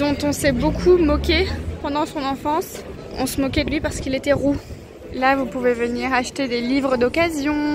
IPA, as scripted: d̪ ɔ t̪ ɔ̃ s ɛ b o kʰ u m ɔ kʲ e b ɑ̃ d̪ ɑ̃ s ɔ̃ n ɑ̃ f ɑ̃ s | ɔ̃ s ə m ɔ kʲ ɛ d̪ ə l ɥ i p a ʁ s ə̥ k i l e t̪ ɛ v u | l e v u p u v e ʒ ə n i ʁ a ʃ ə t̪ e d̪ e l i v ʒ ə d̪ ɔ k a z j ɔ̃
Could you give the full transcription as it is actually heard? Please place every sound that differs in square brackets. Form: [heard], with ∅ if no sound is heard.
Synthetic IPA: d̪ [ɔ̃] t̪ ɔ̃ s ɛ b o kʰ u m ɔ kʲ e [p] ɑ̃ d̪ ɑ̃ s ɔ̃ n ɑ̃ f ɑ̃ s | ɔ̃ s ə m ɔ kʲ ɛ d̪ ə l ɥ i p a ʁ s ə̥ k i l e t̪ ɛ [ʁ] u | l [a] v u p u v e [v] ə n i ʁ a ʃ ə t̪ e d̪ e l i v [ʁ] ə d̪ ɔ k a z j ɔ̃